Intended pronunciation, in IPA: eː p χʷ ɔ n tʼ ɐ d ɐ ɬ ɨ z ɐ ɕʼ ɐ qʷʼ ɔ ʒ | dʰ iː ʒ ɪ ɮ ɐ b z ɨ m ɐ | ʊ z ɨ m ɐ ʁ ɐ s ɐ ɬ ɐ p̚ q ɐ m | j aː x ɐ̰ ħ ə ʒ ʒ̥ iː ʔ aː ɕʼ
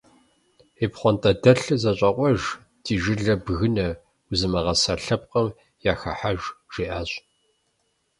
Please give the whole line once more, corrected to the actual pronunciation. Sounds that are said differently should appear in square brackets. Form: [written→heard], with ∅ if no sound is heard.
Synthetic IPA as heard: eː p χʷ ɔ n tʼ ɐ d ɐ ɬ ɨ z ɐ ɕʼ ɐ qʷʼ ɔ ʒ | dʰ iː ʒ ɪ ɮ ɐ b [z→ɣ] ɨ [m→n] ɐ | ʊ z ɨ m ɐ ʁ ɐ s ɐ ɬ ɐ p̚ q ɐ m | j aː x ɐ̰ ħ [ə→a] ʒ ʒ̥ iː ʔ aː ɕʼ